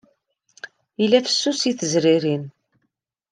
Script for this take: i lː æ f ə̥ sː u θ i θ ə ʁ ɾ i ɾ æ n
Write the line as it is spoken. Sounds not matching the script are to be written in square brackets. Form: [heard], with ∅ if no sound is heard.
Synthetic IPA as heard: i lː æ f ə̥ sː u [s] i θ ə [z] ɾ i ɾ [i] n